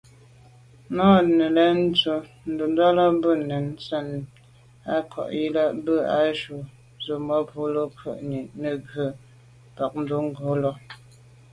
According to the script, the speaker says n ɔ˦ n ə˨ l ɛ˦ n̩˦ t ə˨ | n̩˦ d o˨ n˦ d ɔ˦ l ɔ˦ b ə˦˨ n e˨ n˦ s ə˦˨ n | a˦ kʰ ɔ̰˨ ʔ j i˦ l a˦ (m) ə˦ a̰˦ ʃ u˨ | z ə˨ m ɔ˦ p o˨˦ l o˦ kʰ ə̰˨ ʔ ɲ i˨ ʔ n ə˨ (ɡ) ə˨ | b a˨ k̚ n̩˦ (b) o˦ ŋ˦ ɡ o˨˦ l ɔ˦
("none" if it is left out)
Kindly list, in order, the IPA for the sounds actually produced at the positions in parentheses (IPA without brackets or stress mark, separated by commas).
b, ɡ, d